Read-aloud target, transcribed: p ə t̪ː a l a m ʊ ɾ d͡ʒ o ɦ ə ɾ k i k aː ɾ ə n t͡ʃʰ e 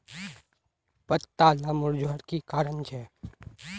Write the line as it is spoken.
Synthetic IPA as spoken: p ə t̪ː a l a m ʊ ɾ d͡ʒ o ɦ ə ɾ k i k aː ɾ ə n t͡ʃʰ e